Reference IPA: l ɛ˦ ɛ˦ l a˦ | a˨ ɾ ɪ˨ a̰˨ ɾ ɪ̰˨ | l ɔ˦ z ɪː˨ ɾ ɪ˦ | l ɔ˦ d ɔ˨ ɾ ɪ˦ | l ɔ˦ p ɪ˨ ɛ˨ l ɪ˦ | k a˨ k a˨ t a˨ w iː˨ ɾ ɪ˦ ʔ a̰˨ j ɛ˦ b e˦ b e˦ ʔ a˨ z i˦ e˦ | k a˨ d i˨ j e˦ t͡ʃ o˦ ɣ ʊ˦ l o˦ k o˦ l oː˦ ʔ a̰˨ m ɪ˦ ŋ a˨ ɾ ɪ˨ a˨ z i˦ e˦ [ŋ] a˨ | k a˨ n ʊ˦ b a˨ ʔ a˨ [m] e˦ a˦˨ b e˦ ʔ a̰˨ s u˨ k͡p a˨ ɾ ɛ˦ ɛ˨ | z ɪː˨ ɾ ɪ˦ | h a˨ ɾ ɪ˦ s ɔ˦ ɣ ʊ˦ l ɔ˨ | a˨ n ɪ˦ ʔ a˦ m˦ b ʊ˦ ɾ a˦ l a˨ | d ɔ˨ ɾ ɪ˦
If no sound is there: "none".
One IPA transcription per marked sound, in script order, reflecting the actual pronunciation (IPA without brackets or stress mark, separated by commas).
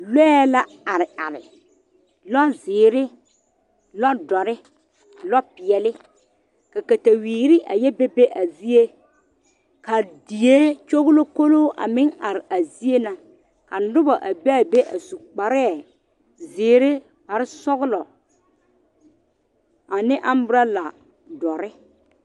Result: n, b